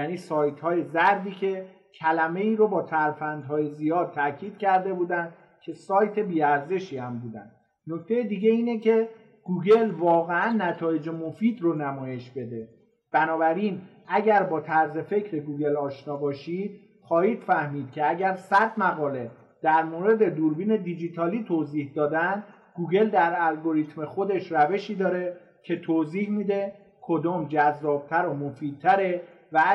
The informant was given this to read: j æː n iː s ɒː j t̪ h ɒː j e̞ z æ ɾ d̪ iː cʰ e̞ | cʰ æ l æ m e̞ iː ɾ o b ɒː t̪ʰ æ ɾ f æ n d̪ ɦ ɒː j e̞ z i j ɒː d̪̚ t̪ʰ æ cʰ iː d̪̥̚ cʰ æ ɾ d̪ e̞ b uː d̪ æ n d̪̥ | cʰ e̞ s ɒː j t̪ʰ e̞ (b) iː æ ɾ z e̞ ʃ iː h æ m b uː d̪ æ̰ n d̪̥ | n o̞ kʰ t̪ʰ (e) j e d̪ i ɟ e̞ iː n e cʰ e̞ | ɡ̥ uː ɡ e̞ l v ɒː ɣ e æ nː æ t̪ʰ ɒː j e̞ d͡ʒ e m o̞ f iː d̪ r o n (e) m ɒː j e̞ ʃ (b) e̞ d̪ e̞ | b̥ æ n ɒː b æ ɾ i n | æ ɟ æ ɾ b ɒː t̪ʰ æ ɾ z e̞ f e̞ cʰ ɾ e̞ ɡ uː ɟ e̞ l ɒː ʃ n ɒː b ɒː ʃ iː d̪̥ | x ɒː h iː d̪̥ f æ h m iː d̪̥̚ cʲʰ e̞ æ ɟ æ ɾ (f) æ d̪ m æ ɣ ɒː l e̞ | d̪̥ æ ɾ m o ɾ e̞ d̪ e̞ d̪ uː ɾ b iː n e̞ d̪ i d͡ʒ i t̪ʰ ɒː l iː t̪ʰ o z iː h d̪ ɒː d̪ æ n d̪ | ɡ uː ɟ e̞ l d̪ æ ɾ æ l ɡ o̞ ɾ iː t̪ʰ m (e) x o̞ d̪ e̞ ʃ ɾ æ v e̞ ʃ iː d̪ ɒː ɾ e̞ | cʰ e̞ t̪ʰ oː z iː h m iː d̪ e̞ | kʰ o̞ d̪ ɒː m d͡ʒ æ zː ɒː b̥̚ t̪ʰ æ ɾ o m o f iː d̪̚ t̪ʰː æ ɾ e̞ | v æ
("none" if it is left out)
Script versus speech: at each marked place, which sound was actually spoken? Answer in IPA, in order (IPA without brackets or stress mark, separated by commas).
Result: b, e, æ, b, s, e